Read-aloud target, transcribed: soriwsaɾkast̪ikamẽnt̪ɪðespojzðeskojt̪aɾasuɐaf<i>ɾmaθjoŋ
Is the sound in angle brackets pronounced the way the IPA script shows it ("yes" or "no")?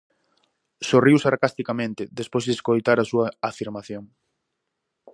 yes